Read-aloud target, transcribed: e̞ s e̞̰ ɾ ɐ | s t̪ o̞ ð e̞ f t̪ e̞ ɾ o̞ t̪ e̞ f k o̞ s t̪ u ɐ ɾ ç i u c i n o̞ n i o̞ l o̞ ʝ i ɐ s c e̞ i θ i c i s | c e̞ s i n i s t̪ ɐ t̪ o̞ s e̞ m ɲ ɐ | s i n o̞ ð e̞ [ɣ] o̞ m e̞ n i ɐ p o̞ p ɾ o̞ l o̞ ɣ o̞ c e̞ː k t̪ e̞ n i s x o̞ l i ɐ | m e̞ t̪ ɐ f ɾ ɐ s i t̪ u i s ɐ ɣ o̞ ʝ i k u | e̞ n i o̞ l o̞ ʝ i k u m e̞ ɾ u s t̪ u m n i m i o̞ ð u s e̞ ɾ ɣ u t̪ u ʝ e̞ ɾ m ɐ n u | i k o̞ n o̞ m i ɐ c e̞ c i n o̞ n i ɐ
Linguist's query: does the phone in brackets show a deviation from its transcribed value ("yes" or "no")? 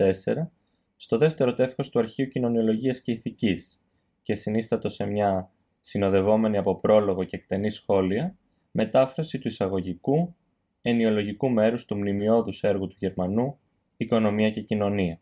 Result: yes